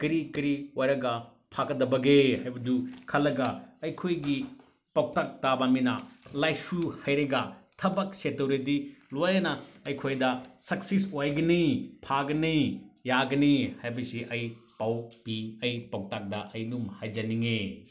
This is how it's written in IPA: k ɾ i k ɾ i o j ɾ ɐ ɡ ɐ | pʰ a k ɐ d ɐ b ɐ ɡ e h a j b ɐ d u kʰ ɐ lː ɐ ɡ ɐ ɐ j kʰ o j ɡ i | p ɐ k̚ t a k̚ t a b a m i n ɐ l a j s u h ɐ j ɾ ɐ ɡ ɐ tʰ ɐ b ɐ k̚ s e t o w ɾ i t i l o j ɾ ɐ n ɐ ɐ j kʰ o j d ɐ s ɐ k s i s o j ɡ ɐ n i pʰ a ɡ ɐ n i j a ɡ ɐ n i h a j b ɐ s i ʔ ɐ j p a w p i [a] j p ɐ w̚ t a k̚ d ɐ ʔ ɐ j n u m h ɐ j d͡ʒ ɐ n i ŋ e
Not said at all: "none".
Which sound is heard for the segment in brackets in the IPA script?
ɐ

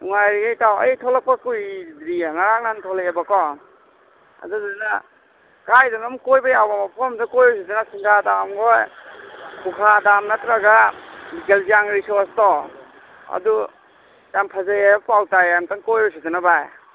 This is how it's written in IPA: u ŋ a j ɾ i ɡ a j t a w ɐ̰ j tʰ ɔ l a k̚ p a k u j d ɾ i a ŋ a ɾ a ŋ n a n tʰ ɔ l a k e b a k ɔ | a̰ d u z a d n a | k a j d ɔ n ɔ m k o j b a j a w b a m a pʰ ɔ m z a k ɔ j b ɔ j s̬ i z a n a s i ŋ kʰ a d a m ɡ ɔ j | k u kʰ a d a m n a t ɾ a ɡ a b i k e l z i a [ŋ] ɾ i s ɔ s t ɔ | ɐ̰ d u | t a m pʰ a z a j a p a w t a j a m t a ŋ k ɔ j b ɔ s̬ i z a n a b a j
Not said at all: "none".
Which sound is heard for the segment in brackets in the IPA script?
ŋ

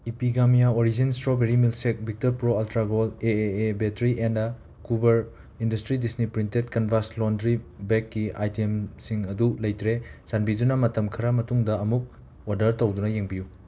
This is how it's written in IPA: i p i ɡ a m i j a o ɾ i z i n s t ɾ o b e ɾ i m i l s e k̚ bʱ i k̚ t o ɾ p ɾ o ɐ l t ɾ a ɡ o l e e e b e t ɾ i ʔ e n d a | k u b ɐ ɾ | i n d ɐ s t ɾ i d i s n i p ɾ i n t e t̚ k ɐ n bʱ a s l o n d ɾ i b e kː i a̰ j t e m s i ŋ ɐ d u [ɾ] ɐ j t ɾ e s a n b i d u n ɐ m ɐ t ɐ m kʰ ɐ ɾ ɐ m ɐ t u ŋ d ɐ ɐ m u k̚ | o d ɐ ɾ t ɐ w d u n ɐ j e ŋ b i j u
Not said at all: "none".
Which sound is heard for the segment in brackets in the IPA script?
l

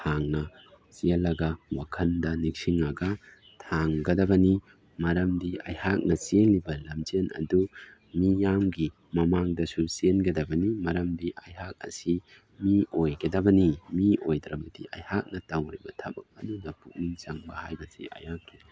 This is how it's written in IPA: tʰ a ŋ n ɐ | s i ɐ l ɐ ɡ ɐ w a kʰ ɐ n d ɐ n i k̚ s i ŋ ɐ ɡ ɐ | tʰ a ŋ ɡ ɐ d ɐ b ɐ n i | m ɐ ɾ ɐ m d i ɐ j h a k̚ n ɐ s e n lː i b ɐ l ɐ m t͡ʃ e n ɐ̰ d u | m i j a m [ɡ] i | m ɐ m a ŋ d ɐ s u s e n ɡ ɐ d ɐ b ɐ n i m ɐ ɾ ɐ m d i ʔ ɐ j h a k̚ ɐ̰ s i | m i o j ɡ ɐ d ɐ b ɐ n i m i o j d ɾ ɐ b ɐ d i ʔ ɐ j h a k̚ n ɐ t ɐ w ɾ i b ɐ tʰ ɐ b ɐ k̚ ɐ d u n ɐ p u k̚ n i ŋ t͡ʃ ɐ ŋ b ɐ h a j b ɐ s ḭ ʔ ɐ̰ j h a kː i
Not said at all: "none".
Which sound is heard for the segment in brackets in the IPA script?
ɡ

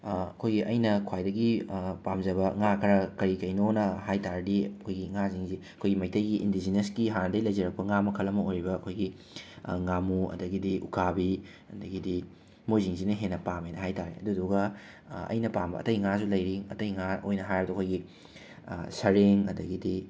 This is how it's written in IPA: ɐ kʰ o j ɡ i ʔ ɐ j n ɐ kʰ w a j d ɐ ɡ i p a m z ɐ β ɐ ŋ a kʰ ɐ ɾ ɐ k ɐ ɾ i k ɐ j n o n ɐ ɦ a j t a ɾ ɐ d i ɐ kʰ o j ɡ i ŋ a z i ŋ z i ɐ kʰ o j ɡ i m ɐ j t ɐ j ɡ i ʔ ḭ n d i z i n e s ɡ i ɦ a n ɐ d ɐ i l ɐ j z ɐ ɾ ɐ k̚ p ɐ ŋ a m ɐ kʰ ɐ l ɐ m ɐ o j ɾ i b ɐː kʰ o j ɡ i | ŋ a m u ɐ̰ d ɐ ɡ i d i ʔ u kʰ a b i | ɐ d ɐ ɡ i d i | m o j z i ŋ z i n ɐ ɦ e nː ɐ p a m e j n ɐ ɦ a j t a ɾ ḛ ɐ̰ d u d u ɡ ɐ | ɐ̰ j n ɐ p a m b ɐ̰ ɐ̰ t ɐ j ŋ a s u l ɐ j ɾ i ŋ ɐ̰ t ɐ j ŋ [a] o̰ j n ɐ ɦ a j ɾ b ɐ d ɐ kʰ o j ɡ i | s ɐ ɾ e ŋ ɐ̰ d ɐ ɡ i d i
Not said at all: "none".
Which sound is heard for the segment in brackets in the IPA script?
a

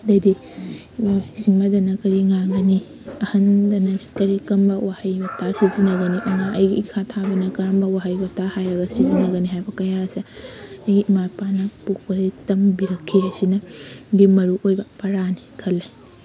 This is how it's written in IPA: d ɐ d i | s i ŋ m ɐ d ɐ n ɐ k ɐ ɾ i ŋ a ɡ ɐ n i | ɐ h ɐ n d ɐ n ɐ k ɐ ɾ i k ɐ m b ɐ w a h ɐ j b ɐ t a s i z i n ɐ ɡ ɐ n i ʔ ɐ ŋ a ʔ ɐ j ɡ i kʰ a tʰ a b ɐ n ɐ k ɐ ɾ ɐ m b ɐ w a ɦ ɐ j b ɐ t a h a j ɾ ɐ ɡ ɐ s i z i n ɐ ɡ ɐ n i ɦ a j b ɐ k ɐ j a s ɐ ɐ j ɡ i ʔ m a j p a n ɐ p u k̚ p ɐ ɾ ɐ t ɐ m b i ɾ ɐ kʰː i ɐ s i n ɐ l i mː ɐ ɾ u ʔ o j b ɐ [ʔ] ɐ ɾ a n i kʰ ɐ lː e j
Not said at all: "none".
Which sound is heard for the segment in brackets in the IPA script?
p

